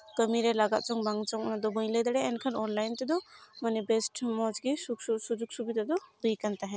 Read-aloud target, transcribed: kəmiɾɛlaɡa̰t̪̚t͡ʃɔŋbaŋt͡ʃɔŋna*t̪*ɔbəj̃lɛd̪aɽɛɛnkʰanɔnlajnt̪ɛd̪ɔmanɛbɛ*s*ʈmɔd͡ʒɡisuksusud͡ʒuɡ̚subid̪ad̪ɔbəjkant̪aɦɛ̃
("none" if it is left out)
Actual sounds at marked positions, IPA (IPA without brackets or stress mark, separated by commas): d̪, s